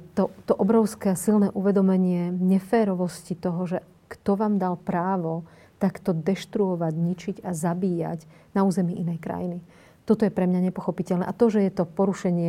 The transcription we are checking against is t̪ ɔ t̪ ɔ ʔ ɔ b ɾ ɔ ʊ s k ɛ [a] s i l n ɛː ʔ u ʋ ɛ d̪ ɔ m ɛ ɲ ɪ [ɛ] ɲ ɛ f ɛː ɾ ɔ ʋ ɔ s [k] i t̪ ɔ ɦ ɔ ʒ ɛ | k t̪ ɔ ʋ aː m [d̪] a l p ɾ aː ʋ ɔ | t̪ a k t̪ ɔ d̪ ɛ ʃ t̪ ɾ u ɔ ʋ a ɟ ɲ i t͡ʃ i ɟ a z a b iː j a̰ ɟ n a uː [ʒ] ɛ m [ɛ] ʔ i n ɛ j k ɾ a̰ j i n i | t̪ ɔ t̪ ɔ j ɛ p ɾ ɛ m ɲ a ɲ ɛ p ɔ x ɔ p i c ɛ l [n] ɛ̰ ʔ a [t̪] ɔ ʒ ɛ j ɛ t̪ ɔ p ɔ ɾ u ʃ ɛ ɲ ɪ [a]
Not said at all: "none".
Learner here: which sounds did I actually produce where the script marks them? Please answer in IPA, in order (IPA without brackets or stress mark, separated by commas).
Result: a, ɛ, c, d̪, z, i, n, t̪, ɛ